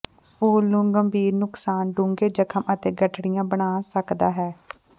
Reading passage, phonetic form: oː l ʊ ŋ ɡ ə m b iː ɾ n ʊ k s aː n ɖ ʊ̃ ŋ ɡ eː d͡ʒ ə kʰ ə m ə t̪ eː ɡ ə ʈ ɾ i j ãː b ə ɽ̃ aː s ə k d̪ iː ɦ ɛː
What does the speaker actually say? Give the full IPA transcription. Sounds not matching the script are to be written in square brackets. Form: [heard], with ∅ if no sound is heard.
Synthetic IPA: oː l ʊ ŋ ɡ ə m b iː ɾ n ʊ k s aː n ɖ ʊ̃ ŋ ɡ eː d͡ʒ ə kʰ ə m ə t̪ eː ɡ ə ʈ [ɽ] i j ãː b ə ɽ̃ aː s ə k d̪ [aː] ɦ ɛː